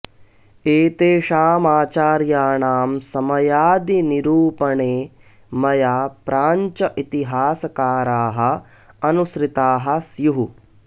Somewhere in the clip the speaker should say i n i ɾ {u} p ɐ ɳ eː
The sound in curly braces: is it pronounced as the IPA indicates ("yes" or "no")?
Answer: no